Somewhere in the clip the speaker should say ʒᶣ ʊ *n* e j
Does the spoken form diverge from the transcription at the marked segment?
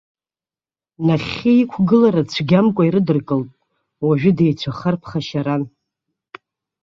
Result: yes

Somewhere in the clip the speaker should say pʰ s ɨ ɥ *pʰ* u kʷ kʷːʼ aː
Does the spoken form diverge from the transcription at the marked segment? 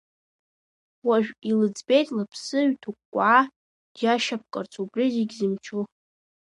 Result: yes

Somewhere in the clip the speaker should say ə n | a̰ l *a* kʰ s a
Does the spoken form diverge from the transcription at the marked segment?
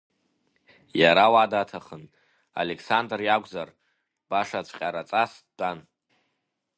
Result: yes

